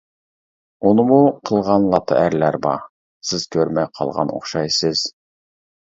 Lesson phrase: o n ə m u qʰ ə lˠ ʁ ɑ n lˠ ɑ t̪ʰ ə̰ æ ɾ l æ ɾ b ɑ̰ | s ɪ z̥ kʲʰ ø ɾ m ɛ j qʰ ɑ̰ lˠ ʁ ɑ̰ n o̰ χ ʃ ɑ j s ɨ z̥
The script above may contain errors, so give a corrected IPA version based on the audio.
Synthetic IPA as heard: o n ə m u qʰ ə lˠ ʁ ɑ n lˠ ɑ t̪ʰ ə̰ æ ɾ l æ ɾ b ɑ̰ | s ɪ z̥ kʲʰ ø ɾ m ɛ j qʰ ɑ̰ lˠ ʁ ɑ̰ n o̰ χ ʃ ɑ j s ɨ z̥